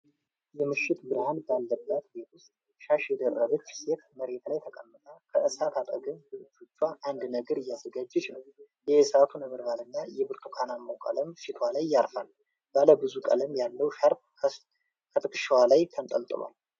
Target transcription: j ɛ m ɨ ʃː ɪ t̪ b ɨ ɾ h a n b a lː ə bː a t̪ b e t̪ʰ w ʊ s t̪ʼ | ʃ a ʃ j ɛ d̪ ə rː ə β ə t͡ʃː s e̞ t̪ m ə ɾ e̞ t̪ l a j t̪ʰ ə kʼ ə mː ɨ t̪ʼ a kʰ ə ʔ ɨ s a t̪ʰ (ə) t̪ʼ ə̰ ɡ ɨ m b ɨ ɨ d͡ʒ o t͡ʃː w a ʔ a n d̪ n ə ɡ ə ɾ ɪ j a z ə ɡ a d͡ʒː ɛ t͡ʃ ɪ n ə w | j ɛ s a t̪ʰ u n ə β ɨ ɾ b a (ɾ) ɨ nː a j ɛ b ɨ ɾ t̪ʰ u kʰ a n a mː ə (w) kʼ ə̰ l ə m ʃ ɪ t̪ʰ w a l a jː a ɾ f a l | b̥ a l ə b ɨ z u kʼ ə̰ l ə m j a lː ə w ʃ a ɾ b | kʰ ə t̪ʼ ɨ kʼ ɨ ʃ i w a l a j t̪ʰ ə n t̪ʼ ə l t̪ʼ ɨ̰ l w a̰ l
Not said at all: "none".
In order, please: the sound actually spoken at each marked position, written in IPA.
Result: a, l, w

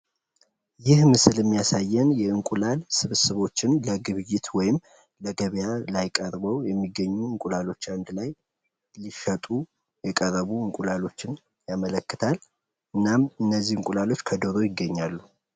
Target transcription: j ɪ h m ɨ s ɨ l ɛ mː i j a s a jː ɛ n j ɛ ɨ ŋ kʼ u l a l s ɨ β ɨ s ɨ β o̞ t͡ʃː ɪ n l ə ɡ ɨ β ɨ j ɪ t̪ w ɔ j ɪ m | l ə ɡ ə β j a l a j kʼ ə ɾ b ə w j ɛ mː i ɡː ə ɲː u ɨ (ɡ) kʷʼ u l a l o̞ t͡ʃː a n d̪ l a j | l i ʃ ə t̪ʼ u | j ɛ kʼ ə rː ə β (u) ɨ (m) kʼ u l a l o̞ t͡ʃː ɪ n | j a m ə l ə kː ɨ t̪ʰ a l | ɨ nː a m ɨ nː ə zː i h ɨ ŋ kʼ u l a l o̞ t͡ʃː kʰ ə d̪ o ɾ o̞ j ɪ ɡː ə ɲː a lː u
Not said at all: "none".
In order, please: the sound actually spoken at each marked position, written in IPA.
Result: ŋ, u, ŋ

